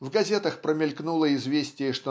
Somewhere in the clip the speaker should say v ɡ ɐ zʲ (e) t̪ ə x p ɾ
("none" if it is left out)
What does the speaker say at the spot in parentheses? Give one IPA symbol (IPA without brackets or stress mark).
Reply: e